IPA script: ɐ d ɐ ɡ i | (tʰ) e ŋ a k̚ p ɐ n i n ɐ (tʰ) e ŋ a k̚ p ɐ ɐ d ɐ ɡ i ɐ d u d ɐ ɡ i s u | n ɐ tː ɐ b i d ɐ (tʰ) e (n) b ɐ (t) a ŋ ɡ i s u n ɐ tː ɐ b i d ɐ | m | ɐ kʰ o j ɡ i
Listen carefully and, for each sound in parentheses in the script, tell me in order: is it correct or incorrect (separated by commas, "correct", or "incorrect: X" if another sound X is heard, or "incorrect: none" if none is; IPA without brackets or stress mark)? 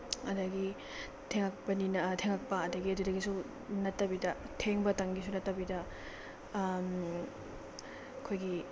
correct, correct, correct, incorrect: ŋ, correct